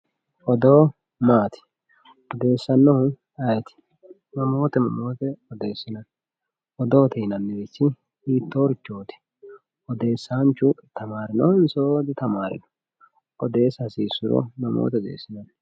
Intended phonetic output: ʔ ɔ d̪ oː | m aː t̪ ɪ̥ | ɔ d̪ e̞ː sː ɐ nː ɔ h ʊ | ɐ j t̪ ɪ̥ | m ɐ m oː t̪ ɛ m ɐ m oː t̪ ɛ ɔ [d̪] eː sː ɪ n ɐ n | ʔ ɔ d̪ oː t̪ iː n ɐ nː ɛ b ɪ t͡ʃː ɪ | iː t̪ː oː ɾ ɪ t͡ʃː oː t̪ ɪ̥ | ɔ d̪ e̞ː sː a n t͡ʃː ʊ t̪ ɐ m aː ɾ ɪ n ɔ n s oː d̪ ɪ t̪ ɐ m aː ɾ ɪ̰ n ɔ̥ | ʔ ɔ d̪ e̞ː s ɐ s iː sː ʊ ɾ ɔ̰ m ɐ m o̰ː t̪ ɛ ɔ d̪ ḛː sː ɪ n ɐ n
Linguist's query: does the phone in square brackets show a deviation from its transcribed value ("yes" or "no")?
no